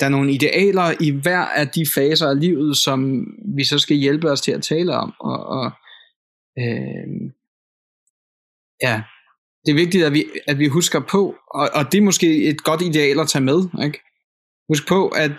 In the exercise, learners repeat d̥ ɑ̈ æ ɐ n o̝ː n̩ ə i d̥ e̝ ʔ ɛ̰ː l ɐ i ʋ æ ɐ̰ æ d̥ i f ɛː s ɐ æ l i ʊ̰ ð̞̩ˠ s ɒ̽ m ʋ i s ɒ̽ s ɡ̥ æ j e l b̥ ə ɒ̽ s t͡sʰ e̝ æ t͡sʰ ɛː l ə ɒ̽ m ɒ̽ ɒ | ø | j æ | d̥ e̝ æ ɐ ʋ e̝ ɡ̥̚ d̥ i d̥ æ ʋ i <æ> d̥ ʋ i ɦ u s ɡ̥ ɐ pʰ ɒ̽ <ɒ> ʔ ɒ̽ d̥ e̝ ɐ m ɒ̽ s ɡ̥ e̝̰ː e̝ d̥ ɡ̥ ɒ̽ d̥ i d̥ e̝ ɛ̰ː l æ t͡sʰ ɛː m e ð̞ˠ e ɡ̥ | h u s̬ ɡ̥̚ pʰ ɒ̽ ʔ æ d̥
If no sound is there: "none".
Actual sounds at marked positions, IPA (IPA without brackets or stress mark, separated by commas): æ, ɒ